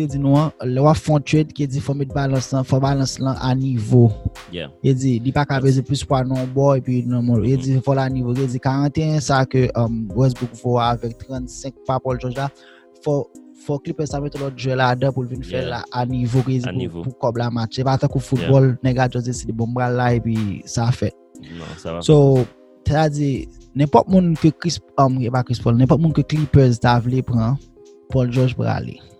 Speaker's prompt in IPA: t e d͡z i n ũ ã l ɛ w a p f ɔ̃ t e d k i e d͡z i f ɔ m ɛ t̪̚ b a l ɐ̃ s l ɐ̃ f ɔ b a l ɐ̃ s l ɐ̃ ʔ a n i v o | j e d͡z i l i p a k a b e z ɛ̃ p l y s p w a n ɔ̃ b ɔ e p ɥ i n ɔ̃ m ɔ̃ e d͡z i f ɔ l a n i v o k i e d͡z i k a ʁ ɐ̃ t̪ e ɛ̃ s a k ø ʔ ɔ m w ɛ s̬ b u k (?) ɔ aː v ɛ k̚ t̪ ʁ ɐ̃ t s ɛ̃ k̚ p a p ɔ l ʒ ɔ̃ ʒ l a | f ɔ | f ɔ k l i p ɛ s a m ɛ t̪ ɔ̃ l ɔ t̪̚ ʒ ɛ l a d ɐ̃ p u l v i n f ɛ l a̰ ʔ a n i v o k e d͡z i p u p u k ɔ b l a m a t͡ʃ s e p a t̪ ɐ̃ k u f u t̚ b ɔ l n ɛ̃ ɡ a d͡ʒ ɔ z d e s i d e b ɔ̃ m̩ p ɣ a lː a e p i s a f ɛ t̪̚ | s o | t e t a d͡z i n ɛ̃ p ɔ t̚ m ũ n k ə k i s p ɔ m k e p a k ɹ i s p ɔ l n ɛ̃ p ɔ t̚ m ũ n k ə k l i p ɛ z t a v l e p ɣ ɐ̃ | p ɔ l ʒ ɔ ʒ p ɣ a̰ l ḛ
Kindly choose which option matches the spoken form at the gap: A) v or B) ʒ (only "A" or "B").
A